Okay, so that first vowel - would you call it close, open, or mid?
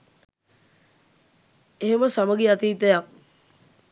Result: mid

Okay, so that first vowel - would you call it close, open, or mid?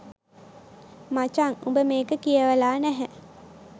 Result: open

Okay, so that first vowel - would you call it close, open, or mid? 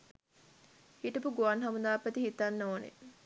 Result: close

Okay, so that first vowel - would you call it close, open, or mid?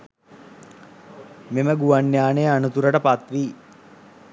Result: mid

